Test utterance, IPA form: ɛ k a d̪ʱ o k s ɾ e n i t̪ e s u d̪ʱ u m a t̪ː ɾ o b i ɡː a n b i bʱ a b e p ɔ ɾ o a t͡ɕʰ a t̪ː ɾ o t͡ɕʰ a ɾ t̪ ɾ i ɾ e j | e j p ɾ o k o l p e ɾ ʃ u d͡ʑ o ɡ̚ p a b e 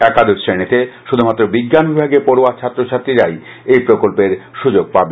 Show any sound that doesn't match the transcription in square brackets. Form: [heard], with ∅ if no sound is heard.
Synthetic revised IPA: ɛ k a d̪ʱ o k s ɾ e n i t̪ e [ʃ] u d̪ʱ u m a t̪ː ɾ o b i ɡː a n b i bʱ a [ɡ] e p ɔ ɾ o a t͡ɕʰ a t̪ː ɾ o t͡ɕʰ a ɾ t̪ ɾ i ɾ [a] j | e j p ɾ o k o l p e ɾ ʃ u d͡ʑ o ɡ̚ p a b e

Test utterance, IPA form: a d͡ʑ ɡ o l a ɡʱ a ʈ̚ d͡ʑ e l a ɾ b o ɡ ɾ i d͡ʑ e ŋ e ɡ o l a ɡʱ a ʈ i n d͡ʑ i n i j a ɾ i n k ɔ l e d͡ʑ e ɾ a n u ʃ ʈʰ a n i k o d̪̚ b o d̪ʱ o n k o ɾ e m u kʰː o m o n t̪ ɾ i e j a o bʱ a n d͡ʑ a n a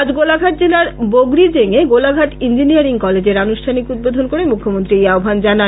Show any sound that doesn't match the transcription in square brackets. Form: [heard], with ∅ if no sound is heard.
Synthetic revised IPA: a d͡ʑ ɡ o l a ɡʱ a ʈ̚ d͡ʑ e l a ɾ b o ɡ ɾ i d͡ʑ e ŋ e ɡ o l a ɡʱ a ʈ i n d͡ʑ i n i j a ɾ i [ŋ] k ɔ l e d͡ʑ e ɾ a n u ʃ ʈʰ a n i k [u] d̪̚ b o d̪ʱ o n k o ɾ e m u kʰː o m o n t̪ ɾ i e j a o bʱ a n d͡ʑ a n a

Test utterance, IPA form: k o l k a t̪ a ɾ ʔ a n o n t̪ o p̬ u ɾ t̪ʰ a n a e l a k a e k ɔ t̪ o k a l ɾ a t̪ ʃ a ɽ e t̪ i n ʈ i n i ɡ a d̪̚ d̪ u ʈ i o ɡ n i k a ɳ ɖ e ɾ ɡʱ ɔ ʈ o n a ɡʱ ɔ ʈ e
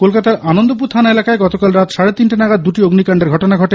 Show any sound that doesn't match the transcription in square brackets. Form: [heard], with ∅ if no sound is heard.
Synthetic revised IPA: k o l k a t̪ a ɾ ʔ a n o n [d̪] o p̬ u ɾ t̪ʰ a n a e l a k a e [ɡ] ɔ t̪ o k a l ɾ a t̪ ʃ a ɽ e t̪ i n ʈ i n [a] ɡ a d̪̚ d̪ u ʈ i o ɡ n i k a ɳ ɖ e ɾ ɡʱ ɔ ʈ o n a ɡʱ ɔ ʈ e

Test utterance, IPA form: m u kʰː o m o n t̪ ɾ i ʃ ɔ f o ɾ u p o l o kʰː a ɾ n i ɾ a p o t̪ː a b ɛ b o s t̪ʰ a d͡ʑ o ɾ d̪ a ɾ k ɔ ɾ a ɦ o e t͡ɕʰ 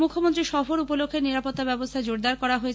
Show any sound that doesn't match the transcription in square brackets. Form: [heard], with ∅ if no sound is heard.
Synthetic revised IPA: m u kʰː o m o n t̪ ɾ i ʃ ɔ f o ɾ u p o l o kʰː [e] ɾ n i ɾ a p o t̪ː a b ɛ b o s t̪ʰ a d͡ʑ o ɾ d̪ a ɾ k ɔ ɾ a ɦ o e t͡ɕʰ

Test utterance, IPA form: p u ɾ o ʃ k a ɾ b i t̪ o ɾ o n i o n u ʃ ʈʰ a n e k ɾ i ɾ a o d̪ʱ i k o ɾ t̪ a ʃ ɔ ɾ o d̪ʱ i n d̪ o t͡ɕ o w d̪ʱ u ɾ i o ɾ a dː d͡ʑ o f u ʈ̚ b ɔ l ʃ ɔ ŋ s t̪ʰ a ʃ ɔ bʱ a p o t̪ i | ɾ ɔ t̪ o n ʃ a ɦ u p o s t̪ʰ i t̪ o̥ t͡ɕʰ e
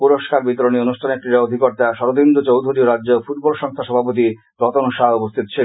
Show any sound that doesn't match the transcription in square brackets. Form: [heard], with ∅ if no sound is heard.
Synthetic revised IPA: p u ɾ o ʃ k a ɾ b i t̪ o ɾ o n i o n u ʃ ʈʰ a n e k ɾ i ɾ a o d̪ʱ i k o ɾ t̪ a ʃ ɔ ɾ o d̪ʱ i n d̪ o t͡ɕ o w d̪ʱ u ɾ i o ɾ a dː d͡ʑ o f u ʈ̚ b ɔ l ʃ ɔ ŋ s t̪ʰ a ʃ ɔ bʱ a p o t̪ i | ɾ ɔ t̪ o n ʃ a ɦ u p o s t̪ʰ i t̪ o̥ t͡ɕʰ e

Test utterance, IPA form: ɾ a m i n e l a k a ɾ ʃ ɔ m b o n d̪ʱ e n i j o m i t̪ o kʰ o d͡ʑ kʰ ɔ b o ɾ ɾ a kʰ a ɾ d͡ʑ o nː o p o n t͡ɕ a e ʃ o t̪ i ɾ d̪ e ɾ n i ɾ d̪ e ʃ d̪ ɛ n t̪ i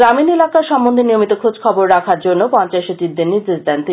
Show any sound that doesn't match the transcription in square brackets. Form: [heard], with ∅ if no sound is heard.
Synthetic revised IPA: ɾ a m i n e l a k a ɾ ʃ ɔ m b o n d̪ʱ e n i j o m i t̪ o kʰ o d͡ʑ kʰ ɔ b o ɾ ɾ a kʰ a ɾ d͡ʑ o nː o p [ɔ] n t͡ɕ a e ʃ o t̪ i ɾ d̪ e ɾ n i ɾ d̪ e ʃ d̪ ɛ n t̪ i

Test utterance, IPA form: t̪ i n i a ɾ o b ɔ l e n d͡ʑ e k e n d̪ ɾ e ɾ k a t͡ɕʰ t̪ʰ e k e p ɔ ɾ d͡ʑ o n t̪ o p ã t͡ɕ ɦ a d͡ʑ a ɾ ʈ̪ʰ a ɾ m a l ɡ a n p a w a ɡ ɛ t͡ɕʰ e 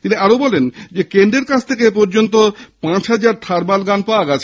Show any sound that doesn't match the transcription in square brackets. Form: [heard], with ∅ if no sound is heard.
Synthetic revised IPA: t̪ i n i a ɾ o b ɔ l e n d͡ʑ e k e n d̪ ɾ e ɾ k a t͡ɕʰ t̪ʰ e k e p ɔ ɾ d͡ʑ o n t̪ o p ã t͡ɕ ɦ a d͡ʑ a ɾ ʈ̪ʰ a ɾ [b] a l ɡ a n p a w a ɡ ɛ t͡ɕʰ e

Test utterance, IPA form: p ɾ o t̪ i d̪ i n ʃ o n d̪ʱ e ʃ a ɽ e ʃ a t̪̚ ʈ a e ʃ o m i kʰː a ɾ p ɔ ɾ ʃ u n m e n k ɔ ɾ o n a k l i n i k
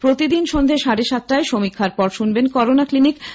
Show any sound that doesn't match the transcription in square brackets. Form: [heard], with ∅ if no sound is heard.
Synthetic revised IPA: p ɾ o t̪ i d̪ i n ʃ o n d̪ʱ e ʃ a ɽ e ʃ a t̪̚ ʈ a e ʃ o m i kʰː a ɾ p ɔ ɾ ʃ u n [b] e n k ɔ ɾ o n a k l i n i k

